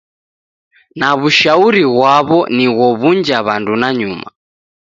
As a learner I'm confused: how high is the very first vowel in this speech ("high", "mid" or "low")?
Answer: low